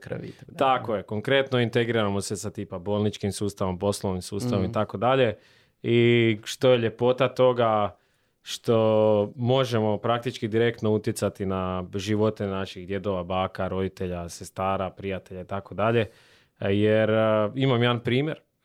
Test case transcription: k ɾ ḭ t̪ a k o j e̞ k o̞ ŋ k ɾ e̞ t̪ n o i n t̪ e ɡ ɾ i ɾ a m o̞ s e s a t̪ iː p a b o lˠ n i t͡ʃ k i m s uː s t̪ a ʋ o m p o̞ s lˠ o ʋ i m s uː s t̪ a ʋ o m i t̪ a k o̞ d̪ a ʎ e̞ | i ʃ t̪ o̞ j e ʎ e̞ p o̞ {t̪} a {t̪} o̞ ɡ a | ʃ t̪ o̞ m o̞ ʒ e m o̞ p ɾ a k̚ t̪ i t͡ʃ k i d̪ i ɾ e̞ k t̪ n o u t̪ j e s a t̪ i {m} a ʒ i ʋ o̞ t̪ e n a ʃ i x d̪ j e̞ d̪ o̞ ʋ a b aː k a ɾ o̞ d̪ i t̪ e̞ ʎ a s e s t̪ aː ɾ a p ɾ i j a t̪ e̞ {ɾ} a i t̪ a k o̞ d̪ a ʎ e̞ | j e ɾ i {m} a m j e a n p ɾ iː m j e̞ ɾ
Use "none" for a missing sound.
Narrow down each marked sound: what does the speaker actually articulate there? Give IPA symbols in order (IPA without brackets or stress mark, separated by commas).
t̪, t̪, n, ʎ, m